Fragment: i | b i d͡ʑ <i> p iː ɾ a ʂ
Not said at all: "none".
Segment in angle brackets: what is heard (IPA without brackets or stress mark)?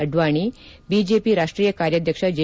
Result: e